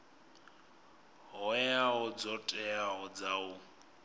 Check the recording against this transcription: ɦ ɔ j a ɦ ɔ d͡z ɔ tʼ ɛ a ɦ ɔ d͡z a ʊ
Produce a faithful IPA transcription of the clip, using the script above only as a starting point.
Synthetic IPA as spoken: ɦ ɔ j a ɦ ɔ d͡z ɔ tʼ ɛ a ɦ ɔ d͡z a ʊ